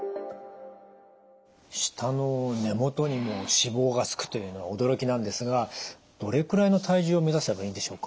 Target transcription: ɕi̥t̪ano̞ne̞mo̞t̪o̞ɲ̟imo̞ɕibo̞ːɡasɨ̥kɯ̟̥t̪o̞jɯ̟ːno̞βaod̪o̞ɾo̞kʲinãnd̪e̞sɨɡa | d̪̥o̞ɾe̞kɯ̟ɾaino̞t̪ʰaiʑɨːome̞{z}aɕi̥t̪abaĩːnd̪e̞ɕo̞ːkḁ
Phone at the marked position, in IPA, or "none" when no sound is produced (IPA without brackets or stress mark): z